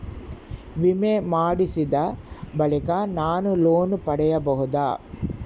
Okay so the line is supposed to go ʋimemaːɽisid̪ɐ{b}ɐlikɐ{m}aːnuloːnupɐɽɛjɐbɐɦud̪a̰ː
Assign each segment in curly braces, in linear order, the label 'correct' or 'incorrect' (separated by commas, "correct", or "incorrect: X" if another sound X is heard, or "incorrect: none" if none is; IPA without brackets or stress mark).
correct, incorrect: n